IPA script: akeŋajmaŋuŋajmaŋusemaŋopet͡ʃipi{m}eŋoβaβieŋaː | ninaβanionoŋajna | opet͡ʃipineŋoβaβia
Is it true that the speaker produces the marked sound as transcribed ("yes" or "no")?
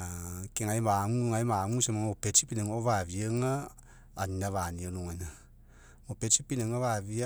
no